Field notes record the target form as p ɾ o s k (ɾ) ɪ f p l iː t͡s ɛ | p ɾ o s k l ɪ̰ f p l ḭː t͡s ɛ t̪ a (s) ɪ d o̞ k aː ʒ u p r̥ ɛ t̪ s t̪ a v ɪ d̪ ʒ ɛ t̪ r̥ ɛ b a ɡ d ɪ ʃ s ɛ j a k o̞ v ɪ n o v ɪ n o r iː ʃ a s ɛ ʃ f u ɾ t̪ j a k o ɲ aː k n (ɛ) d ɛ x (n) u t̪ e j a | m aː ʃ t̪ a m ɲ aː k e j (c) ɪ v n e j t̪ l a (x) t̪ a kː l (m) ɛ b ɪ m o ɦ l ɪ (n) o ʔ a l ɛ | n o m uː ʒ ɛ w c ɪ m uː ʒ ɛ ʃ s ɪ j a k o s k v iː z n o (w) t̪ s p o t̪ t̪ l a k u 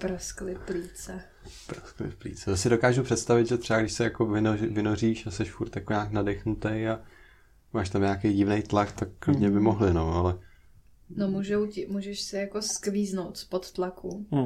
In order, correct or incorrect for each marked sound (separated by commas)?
incorrect, correct, incorrect, correct, incorrect, incorrect, incorrect, correct, correct